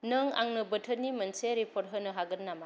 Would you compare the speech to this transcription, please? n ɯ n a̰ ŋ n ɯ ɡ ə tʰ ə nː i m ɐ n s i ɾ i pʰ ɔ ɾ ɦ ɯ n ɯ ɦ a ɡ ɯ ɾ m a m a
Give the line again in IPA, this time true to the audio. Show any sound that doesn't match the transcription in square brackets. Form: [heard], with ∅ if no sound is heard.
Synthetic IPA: n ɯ [ŋ] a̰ ŋ n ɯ [b] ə tʰ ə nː i m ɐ n s [e] ɾ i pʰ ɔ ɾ ɦ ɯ n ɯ ɦ a ɡ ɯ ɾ [n] a m a